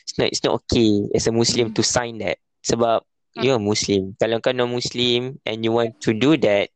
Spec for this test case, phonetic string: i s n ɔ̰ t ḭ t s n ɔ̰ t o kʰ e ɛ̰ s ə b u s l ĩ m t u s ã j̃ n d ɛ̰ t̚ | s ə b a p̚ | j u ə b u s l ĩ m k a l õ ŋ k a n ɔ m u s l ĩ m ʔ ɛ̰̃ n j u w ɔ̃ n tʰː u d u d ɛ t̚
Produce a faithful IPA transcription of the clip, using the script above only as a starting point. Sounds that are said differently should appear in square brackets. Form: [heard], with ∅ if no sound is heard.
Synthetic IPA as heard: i s n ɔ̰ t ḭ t s n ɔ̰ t o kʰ e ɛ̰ s ə [m] u s l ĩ m t u s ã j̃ n d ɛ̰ t̚ | s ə b a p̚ | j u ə [m] u s l ĩ m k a l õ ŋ k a n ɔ m u s l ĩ m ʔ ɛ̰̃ n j u w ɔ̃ n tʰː u d u d ɛ t̚